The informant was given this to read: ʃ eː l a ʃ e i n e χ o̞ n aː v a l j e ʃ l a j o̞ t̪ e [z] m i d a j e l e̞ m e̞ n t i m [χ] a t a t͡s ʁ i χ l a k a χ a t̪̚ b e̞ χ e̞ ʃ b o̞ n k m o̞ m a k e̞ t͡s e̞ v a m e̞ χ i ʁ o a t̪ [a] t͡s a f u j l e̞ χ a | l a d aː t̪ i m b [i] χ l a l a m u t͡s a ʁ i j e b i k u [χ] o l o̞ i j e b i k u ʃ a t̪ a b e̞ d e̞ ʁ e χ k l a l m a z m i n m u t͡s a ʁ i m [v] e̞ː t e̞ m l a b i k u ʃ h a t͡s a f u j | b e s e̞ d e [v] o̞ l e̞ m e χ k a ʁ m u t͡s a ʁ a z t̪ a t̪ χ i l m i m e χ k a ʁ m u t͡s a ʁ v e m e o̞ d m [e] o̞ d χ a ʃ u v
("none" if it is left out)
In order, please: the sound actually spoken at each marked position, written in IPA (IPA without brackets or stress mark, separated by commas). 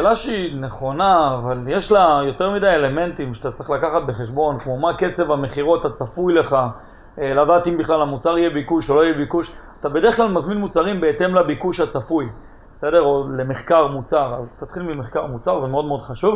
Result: ʁ, ʃ, a, i, ʃ, b, ʁ, e